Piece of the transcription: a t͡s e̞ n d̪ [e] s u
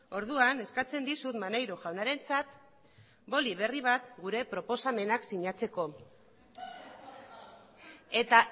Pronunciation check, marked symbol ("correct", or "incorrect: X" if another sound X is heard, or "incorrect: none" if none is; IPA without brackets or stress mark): incorrect: i